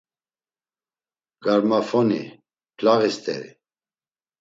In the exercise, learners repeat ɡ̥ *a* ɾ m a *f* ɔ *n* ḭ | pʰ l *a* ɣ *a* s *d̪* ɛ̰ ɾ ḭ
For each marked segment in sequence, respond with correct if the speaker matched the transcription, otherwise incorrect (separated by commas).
correct, correct, correct, correct, incorrect, incorrect